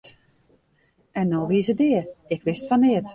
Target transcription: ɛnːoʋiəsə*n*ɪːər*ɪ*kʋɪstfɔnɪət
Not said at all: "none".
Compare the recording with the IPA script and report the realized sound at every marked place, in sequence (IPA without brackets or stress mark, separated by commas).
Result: d, ɪ